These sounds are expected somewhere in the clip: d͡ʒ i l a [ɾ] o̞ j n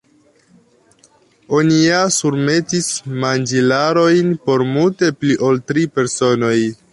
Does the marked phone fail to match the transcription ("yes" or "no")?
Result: no